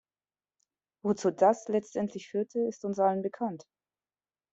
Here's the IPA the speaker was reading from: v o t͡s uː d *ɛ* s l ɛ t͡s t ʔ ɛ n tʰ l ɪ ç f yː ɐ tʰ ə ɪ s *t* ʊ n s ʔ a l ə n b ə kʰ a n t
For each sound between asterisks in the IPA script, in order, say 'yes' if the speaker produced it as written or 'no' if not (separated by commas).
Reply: no, yes